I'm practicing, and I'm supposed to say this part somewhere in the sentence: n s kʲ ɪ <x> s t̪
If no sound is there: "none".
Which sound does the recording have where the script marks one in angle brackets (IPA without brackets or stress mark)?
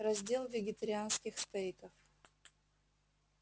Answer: x